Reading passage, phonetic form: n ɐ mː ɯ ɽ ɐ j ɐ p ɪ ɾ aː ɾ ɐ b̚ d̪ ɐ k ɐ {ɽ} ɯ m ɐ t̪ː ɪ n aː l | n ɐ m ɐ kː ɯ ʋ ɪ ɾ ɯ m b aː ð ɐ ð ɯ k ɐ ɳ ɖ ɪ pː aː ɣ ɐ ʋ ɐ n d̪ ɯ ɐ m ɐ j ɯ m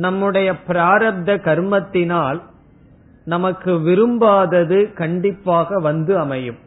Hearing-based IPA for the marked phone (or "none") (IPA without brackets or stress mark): ɾ